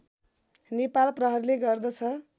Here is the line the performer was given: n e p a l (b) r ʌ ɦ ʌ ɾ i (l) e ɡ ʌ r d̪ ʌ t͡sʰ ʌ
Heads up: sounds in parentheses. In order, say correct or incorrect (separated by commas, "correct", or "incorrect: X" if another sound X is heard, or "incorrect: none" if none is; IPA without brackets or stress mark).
incorrect: p, correct